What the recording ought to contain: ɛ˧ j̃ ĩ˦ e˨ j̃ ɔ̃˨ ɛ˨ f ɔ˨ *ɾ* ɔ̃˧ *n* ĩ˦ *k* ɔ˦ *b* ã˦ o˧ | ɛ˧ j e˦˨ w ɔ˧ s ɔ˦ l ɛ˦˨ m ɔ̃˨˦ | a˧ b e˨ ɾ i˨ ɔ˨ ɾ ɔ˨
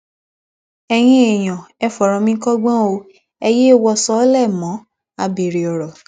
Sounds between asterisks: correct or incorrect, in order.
correct, incorrect: m, correct, incorrect: ɡ͡b

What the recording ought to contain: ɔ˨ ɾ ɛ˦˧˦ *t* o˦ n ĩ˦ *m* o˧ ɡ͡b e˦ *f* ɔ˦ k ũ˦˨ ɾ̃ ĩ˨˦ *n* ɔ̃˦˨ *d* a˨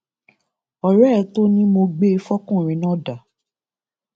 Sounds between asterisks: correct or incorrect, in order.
correct, correct, correct, correct, correct

